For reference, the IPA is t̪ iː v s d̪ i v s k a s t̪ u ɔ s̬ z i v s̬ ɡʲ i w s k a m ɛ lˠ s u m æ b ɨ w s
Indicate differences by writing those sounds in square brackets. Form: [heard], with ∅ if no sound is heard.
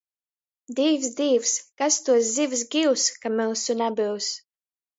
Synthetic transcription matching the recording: [d̪] iː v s d̪ [iː] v s k a s t̪ u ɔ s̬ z i v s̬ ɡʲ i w s k a m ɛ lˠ s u [n] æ b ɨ w s